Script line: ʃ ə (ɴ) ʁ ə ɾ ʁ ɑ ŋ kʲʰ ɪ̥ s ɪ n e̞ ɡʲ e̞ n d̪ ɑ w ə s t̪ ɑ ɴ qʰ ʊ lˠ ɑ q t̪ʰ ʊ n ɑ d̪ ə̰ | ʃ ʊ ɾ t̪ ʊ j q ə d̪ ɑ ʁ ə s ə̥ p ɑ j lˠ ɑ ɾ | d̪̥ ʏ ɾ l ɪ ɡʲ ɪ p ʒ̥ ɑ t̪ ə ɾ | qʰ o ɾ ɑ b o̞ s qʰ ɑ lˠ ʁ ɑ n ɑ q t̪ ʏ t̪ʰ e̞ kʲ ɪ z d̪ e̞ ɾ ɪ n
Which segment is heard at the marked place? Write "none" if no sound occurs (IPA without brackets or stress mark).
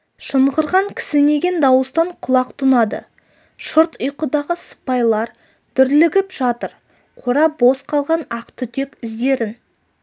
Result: ɴ